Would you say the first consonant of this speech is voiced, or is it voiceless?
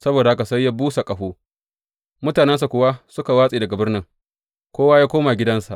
voiceless